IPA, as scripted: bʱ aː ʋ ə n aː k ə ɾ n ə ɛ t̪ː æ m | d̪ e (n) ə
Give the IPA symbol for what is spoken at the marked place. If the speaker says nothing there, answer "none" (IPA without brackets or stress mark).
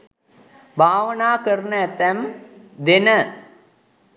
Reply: n